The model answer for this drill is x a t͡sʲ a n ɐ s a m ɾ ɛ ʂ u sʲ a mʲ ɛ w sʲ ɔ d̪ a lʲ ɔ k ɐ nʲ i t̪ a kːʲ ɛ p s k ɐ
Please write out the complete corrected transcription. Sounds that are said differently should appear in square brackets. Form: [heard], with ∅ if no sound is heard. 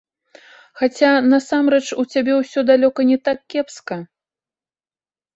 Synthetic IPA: x a t͡sʲ a n ɐ s a m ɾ ɛ [t͡ʂ] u [t͡sʲ] a [bʲ] ɛ w sʲ ɔ d̪ a lʲ ɔ k ɐ nʲ [ɛ] t̪ a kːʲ ɛ p s k ɐ